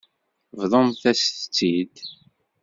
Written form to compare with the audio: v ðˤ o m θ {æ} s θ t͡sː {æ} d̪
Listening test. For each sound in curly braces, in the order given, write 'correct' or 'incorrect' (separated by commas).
correct, incorrect